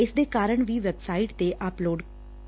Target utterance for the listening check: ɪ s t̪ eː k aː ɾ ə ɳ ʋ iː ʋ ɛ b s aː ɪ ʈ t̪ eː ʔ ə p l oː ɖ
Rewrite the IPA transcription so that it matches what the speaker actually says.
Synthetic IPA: ɪ s d̪ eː k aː ɾ ə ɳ ʋ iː ʋ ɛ b s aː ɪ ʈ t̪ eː ʔ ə p l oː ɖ